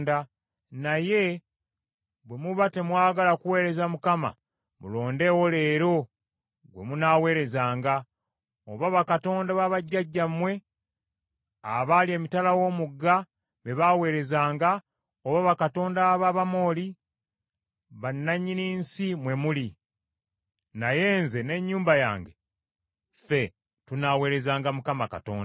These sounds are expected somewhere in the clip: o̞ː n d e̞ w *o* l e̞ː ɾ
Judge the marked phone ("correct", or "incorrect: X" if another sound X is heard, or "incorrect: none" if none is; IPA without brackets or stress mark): correct